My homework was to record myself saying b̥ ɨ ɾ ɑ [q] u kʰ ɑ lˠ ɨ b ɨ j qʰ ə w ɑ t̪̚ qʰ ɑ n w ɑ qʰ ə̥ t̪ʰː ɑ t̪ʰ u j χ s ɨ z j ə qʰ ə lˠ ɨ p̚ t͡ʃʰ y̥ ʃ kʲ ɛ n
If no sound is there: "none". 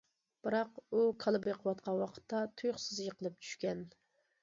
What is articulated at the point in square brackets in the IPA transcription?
q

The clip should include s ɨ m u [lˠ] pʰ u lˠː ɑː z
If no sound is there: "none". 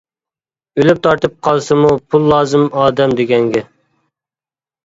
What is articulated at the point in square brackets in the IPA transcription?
none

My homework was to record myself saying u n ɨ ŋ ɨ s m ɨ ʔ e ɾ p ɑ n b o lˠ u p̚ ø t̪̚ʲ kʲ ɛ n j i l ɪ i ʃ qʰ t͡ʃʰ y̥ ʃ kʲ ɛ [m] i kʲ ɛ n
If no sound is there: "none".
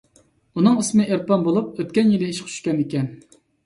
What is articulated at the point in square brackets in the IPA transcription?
n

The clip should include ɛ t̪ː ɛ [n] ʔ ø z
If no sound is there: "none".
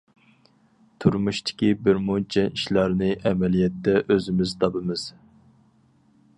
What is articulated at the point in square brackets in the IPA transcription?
none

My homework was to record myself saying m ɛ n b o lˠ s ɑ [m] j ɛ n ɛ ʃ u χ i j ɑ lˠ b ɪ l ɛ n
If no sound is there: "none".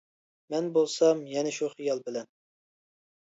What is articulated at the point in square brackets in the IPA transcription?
m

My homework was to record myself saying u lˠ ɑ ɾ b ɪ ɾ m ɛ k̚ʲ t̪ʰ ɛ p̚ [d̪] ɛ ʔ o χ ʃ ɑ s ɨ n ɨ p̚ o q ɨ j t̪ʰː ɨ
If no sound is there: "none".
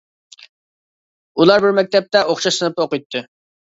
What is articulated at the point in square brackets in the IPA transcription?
t̪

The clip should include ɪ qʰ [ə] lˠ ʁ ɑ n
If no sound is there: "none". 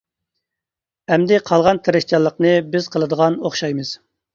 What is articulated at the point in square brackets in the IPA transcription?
ɑ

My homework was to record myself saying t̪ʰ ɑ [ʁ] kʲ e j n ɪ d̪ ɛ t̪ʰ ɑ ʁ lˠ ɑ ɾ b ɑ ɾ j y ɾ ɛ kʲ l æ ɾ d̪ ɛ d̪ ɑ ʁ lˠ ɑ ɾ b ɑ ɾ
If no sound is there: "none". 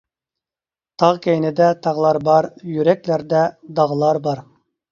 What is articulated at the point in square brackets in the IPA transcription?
ʁ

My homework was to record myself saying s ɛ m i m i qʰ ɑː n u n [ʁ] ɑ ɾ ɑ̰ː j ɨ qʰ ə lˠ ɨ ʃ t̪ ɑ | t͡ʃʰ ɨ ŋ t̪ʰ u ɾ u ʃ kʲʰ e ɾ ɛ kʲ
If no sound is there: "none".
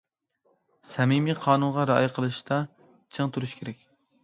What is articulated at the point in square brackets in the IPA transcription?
ʁ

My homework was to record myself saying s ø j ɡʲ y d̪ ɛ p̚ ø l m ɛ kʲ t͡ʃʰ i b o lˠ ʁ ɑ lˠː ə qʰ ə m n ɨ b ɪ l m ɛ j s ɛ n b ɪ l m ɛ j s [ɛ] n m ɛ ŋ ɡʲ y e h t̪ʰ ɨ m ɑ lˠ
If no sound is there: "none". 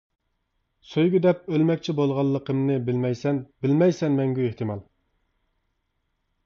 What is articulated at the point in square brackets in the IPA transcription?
ɛ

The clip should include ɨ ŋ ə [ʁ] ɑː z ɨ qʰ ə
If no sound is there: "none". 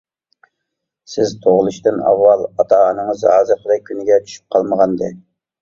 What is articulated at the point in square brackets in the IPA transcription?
z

